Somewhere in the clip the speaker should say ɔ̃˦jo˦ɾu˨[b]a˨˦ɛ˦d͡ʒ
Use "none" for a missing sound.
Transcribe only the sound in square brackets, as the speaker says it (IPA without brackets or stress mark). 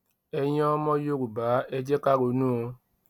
b